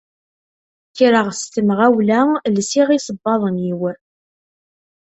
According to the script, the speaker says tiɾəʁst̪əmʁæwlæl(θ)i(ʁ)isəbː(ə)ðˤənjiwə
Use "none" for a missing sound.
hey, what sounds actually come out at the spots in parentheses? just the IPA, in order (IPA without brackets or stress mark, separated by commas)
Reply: s, ʁ, ɑ